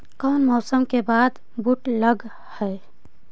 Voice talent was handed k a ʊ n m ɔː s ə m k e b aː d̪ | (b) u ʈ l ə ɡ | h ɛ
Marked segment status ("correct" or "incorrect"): correct